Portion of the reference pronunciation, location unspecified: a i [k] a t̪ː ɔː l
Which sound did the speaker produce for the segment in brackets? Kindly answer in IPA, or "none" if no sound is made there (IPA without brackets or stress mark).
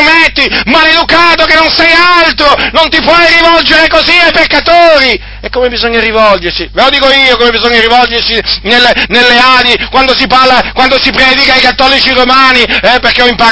k